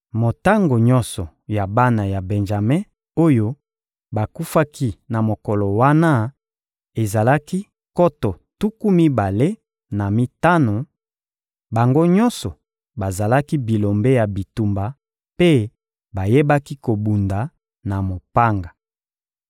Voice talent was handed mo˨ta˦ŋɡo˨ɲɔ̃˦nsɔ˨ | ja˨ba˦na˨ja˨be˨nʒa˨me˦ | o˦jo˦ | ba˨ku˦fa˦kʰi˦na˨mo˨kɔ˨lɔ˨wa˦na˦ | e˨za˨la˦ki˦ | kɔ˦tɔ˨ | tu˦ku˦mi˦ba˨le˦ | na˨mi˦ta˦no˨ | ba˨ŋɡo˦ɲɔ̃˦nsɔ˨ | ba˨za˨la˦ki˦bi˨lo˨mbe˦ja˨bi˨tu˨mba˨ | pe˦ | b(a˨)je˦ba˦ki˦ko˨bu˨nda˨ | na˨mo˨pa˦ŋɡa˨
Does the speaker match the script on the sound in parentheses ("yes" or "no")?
yes